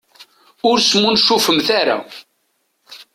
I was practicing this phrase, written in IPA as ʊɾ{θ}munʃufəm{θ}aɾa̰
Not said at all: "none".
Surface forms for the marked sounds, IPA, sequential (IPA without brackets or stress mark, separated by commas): s, θ